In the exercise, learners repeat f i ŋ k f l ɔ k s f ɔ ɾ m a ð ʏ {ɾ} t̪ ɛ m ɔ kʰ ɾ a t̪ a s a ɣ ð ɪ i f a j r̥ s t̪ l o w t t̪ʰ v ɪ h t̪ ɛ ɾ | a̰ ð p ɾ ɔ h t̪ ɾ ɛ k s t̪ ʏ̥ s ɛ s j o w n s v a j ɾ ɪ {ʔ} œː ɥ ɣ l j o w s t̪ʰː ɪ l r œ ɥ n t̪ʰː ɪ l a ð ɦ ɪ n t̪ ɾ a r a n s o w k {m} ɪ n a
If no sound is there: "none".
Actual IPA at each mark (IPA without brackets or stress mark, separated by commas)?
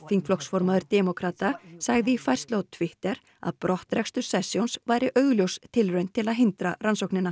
ɾ, ʔ, n